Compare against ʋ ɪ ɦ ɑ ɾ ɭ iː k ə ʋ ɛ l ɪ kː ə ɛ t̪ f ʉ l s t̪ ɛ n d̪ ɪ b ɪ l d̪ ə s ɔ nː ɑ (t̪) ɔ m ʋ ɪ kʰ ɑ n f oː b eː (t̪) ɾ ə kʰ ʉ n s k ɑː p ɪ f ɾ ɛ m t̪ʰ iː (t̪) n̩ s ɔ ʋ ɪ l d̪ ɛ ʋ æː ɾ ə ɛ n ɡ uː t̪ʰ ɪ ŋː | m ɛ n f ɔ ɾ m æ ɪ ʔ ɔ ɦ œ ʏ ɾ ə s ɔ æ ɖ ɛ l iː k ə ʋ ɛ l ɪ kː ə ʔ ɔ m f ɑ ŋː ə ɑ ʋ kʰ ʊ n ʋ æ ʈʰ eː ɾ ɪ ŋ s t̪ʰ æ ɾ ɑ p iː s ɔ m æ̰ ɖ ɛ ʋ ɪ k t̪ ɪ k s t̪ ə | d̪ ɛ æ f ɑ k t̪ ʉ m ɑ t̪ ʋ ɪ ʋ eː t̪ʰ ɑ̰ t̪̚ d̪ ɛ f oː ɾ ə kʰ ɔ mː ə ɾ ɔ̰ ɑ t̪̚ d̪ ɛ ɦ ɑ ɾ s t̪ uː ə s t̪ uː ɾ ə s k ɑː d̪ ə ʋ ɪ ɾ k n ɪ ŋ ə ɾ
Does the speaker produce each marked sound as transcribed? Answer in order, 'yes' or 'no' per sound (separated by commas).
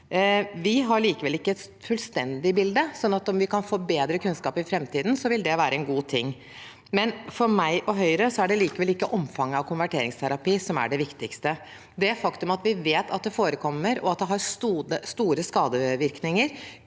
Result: yes, no, no